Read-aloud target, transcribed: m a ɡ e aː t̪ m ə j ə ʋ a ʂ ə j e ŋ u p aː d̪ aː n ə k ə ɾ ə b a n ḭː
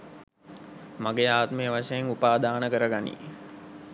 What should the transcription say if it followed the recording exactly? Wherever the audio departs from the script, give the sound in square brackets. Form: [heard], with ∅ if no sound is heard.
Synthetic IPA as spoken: m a ɡ e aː t̪ m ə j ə ʋ a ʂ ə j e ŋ u p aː d̪ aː n ə k ə ɾ ə [ɡ] a n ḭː